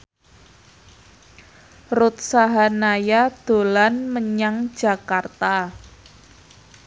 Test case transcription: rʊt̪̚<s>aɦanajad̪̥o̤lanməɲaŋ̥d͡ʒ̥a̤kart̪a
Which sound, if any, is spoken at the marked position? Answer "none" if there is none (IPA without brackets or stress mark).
s